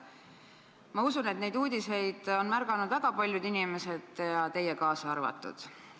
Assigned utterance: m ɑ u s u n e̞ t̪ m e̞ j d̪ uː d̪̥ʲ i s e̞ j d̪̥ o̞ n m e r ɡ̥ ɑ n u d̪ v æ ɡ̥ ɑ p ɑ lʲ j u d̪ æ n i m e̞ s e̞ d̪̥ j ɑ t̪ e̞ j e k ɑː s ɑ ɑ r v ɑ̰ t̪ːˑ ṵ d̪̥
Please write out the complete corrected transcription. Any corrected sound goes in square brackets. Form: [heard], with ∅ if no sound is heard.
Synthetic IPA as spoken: m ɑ u s u n e̞ t̪ [n] e̞ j d̪ uː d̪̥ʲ i s e̞ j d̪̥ o̞ n m [æ] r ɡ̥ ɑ n u d̪ v æ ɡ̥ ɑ p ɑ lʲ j u d̪ [i] n i m e̞ s e̞ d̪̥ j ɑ t̪ e̞ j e k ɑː s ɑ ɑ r v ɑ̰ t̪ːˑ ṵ d̪̥